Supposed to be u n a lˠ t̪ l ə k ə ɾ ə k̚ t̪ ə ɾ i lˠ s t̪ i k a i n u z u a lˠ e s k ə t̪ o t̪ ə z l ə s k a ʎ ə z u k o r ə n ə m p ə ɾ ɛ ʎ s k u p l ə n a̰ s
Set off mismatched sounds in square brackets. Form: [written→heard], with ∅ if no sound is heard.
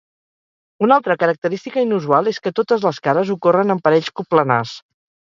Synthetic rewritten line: u n a lˠ t̪ [l→ɾ] ə k ə ɾ ə k̚ t̪ ə ɾ i [lˠ→∅] s t̪ i k [a→ə] i n u z u a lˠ e s k ə t̪ o t̪ ə z l ə s k a [ʎ→ɾ] ə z u k o r ə n ə m p ə ɾ ɛ ʎ s k u p l ə n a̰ s